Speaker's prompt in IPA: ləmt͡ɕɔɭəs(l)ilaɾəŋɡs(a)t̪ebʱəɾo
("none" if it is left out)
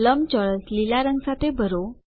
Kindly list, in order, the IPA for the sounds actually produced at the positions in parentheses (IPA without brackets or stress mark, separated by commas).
l, a